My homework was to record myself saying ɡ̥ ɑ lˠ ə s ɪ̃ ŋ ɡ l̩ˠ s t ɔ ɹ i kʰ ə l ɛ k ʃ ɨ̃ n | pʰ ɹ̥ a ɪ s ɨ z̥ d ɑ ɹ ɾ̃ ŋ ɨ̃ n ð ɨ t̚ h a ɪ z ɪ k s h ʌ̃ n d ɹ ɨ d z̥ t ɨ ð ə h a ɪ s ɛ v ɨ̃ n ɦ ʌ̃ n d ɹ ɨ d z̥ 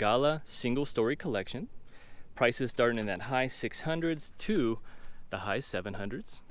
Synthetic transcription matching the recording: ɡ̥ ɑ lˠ ə s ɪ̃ ŋ ɡ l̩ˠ s t ɔ ɹ i kʰ ə l ɛ k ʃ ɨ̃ n | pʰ ɹ̥ a ɪ s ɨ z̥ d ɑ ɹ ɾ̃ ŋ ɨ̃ n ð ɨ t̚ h a ɪ s ɪ k s h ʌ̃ n d ɹ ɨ d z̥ tʰ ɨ ð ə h a ɪ s ɛ v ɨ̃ n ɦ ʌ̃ n d ɹ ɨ d z̥